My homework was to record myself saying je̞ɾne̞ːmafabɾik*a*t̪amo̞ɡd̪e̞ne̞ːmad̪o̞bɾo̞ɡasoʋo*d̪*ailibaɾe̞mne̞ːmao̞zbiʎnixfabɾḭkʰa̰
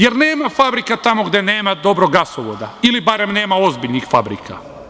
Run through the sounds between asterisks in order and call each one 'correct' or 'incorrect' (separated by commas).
correct, correct